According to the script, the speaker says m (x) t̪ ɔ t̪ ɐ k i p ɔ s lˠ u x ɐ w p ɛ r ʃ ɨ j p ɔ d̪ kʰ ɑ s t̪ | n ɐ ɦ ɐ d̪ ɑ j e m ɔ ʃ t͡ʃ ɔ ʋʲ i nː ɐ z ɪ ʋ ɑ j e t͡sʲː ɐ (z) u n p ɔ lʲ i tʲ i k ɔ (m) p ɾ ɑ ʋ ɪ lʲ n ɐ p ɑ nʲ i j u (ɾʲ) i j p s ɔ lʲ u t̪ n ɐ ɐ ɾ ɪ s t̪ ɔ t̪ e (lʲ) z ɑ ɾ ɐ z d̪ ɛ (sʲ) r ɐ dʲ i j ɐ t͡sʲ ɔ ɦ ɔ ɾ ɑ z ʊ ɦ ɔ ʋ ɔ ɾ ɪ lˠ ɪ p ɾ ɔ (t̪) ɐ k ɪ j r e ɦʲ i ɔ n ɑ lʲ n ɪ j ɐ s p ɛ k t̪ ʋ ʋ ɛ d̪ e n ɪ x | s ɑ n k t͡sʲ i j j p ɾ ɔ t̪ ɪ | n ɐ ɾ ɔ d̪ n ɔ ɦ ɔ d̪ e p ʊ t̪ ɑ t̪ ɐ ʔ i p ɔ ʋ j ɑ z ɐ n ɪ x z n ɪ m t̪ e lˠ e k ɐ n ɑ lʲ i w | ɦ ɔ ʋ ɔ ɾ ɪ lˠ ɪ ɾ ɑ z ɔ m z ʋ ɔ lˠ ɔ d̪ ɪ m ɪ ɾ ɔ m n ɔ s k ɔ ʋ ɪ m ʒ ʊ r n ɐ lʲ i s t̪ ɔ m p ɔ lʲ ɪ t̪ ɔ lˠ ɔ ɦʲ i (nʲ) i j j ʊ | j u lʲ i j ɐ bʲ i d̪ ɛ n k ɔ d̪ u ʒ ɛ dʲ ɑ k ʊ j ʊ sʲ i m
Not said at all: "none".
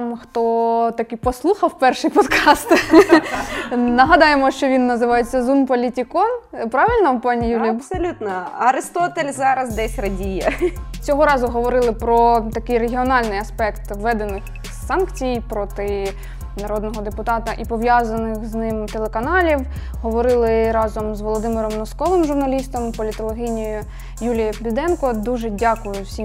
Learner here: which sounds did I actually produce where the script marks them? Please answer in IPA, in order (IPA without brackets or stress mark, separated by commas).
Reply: x, z, n, lʲ, lʲ, sʲ, t̪, nʲ